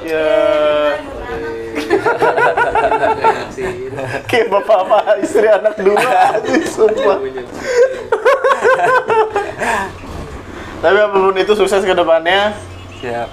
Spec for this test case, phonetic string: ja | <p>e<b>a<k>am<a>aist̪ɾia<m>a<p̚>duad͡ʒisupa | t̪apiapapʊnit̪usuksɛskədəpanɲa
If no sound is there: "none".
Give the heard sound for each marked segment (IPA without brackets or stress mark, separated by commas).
k, b, p, a, n, k̚